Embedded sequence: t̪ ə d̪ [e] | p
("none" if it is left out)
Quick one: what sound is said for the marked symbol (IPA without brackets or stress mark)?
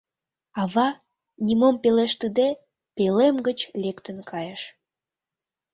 e